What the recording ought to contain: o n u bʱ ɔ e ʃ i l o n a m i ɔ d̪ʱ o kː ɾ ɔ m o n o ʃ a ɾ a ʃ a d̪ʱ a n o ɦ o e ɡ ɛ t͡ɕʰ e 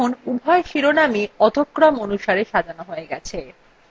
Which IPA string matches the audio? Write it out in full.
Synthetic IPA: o n u bʱ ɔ e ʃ i ɾ o n a m i ɔ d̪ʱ o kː ɾ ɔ m o n u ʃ a ɾ e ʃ a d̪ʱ a n o ɦ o e ɡ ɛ t͡ɕʰ e